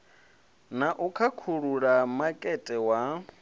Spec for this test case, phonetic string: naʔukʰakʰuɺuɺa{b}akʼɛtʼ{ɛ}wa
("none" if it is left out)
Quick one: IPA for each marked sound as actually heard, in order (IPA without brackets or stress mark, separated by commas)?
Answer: m, ɛ